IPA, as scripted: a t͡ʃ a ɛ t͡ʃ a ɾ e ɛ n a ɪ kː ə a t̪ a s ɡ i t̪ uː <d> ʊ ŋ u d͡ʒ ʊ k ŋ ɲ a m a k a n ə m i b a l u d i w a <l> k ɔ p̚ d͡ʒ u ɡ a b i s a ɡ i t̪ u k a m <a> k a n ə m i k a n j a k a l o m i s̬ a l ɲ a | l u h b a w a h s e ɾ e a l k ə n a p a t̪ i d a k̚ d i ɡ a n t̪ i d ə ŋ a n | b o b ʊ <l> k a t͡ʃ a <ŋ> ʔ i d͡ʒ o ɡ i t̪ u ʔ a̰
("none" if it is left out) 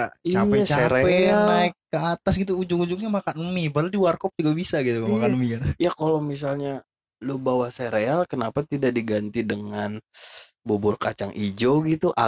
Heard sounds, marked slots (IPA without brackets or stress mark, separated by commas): d͡ʒ, r, a, r, ŋ